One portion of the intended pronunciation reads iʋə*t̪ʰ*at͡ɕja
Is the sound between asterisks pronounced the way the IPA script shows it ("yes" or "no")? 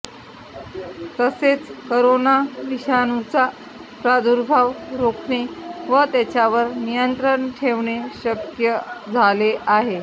no